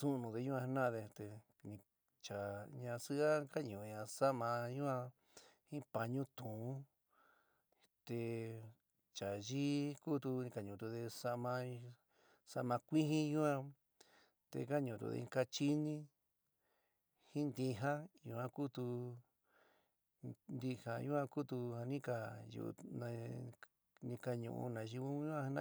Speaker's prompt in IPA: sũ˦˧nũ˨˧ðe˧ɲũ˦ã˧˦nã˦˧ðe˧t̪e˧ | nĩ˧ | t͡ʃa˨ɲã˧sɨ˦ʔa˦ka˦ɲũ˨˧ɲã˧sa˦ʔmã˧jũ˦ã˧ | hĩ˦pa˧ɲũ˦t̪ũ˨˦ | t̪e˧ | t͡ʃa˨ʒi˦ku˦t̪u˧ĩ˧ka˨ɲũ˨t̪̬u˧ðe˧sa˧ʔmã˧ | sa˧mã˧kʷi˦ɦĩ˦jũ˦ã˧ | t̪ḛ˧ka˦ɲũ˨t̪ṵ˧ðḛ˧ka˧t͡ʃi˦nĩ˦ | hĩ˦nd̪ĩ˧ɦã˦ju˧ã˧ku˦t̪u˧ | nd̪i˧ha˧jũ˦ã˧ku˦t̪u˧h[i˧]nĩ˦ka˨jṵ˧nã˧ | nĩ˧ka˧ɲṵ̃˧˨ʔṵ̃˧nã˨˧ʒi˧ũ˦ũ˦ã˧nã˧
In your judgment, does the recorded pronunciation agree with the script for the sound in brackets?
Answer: no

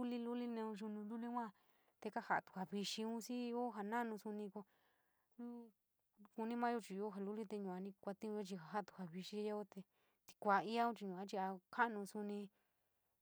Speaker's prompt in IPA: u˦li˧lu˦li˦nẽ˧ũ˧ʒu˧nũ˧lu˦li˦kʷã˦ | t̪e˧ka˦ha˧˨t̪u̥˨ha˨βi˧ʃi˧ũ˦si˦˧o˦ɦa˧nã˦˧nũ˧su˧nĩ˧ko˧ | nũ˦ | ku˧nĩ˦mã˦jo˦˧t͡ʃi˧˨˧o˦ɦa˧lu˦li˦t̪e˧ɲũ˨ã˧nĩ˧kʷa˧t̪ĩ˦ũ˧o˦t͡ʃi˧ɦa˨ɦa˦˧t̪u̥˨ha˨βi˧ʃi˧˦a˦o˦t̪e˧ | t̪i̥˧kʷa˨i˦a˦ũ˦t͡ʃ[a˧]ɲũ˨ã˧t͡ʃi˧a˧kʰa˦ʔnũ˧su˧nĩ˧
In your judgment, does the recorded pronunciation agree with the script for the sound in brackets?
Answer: no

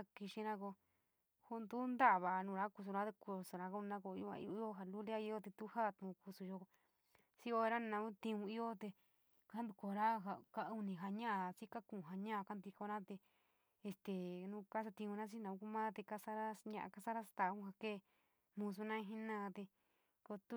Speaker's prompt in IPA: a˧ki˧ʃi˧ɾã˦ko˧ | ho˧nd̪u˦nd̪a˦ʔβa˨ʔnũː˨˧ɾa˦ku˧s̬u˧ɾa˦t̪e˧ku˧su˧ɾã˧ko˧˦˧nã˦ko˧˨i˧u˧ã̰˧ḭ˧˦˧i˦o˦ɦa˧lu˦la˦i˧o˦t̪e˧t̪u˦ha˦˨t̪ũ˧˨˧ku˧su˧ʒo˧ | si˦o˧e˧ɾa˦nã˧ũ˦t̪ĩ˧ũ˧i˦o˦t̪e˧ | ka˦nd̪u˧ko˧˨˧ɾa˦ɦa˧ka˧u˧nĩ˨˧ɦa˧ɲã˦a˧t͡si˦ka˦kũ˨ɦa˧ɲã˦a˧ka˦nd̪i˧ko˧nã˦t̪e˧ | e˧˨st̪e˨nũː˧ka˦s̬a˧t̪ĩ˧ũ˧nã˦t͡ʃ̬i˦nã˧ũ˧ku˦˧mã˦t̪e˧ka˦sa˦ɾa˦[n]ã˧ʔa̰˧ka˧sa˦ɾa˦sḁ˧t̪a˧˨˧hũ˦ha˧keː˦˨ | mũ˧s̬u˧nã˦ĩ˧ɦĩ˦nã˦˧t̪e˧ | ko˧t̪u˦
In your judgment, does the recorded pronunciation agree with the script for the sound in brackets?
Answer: no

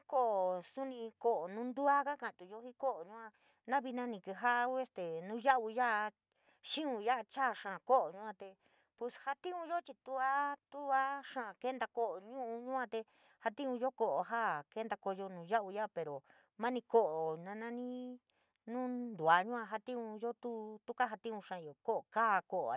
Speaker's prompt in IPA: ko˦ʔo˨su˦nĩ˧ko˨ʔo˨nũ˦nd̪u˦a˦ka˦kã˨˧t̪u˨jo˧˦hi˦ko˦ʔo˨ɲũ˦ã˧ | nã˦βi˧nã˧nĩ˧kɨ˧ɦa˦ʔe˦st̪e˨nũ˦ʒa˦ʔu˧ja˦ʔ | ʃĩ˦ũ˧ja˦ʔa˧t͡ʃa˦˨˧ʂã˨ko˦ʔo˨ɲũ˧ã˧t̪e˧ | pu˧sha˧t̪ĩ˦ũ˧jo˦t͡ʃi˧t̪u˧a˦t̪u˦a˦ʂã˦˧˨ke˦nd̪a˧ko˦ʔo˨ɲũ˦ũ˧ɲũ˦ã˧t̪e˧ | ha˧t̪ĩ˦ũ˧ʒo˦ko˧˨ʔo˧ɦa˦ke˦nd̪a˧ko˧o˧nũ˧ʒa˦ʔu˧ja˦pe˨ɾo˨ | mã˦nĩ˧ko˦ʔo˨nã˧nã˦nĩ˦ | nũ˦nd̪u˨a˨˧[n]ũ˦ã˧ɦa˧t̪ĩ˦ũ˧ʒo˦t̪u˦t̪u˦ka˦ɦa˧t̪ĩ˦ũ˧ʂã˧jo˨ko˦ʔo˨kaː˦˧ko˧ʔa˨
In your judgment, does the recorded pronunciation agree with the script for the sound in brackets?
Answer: no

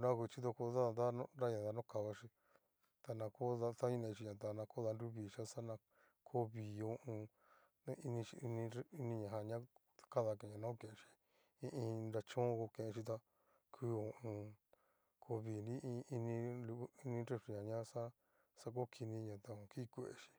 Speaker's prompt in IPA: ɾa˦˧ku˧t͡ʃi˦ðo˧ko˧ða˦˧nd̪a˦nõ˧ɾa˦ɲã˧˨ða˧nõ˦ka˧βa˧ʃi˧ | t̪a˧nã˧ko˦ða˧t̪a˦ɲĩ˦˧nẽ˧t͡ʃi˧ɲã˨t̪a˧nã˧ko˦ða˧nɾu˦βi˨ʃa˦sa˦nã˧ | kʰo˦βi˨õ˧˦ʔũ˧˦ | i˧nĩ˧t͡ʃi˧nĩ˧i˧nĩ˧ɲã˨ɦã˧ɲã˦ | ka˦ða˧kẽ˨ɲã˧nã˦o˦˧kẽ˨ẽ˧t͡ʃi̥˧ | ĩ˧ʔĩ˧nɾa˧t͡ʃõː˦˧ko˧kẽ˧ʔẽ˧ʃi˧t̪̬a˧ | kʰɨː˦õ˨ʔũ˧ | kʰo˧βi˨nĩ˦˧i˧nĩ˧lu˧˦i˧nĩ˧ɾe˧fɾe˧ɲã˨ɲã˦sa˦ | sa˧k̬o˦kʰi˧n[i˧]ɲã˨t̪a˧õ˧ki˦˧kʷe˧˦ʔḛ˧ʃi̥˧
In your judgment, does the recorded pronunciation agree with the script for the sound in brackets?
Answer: no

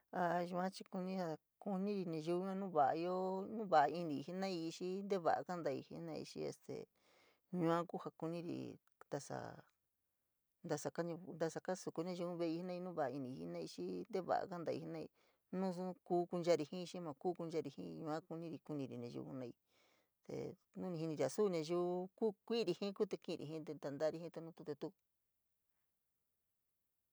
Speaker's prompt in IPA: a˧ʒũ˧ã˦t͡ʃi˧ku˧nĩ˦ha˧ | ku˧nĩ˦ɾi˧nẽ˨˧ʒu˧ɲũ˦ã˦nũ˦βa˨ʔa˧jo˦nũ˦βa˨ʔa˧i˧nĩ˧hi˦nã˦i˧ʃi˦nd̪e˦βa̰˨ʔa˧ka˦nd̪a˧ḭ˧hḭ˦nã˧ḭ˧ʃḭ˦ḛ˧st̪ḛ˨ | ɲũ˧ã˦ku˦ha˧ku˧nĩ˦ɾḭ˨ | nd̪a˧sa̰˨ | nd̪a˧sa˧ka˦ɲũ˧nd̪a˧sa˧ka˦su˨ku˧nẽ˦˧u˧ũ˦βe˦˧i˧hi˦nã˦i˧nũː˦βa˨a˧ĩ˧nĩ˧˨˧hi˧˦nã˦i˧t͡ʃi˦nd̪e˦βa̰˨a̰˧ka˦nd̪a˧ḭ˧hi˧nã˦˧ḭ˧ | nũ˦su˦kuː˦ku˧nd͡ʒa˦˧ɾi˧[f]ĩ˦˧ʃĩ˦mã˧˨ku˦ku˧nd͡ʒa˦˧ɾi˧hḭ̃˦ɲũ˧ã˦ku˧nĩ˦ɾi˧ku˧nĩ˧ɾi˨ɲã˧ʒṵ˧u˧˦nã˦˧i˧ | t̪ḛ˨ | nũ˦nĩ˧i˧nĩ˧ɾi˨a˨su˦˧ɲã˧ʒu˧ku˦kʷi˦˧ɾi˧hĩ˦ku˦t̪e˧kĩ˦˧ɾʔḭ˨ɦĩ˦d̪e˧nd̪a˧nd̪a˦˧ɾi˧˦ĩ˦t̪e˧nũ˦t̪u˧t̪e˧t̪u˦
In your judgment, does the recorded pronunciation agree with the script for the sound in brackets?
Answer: no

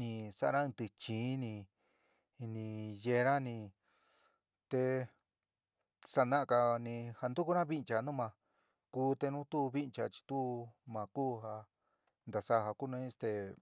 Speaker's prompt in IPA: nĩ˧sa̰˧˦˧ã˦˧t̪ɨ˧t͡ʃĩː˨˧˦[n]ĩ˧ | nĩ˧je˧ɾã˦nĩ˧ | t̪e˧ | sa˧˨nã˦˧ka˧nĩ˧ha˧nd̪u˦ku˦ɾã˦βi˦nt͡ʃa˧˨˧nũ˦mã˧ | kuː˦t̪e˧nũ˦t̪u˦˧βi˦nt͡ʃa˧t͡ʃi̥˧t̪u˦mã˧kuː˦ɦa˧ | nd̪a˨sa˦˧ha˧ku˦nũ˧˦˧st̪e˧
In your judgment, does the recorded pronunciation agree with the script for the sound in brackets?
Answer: yes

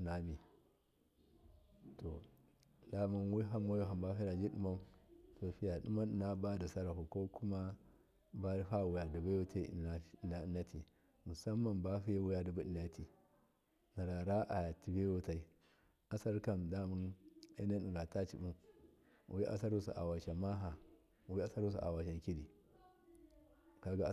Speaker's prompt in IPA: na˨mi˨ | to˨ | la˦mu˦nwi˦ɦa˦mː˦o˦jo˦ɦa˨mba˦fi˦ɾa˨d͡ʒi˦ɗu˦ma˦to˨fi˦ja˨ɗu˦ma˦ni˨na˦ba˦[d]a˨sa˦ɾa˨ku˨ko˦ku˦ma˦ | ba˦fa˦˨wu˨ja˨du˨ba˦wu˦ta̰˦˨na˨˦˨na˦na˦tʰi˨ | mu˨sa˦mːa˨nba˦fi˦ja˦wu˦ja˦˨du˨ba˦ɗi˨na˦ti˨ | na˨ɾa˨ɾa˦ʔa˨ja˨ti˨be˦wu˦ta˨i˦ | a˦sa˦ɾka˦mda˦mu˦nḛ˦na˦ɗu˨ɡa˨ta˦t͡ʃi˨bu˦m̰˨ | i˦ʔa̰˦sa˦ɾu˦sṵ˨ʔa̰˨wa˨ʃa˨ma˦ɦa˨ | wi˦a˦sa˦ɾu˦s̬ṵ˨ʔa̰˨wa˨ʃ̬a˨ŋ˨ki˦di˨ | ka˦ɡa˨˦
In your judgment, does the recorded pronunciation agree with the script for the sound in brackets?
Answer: yes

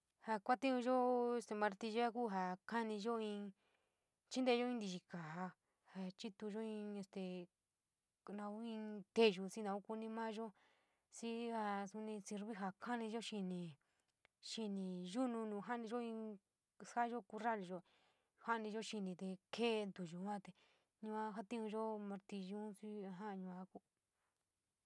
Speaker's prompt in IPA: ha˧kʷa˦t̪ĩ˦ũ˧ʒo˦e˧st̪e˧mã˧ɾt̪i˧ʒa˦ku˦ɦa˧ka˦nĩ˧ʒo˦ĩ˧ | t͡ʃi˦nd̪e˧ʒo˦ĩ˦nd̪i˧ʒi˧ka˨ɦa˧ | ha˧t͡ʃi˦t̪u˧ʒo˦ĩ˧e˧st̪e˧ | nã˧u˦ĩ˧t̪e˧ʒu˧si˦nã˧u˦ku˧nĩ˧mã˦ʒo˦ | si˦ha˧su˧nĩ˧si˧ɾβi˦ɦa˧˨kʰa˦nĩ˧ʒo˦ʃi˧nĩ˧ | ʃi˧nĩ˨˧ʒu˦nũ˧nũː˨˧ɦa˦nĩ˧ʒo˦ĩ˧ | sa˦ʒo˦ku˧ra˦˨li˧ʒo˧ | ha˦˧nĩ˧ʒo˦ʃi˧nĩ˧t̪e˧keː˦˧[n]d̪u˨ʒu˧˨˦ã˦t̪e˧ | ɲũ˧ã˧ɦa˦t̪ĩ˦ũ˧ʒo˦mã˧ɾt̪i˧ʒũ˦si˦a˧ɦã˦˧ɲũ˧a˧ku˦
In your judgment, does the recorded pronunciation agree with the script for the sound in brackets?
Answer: yes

